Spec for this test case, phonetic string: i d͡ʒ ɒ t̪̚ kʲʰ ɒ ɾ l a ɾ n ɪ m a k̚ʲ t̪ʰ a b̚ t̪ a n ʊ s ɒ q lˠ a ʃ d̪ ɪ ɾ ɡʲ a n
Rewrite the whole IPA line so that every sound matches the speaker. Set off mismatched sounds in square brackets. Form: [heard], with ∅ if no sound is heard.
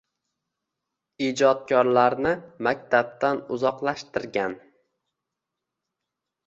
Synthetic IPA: i d͡ʒ ɒ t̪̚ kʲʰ ɒ ɾ l a ɾ n ɪ m a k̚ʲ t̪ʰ a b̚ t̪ a n ʊ [z] ɒ q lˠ a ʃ [t̪] ɪ ɾ ɡʲ a n